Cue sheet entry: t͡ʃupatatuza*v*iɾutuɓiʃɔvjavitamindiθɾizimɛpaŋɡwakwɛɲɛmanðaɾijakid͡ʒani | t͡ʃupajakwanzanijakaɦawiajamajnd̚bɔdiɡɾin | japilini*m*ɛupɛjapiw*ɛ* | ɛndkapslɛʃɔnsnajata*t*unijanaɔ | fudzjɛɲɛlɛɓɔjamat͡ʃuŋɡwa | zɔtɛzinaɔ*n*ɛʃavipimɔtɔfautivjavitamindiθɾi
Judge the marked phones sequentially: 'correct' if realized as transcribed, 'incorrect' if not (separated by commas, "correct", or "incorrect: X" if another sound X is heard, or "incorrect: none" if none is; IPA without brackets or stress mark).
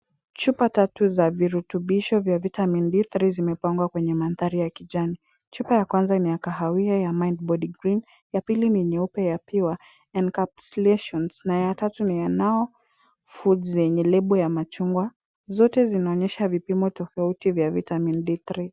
correct, incorrect: ɲ, incorrect: a, correct, incorrect: ɲ